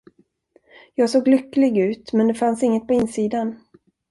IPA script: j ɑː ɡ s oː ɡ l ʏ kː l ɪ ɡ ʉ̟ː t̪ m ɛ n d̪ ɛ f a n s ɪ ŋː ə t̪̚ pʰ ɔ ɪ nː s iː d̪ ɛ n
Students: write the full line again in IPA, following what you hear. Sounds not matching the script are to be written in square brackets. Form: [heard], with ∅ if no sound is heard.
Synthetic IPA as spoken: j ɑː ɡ s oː ɡ l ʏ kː l ɪ ɡ ʉ̟ː t̪ m ɛ n d̪ ɛ f a n s ɪ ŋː ə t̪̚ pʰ ɔ ɪ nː s iː d̪ [a] n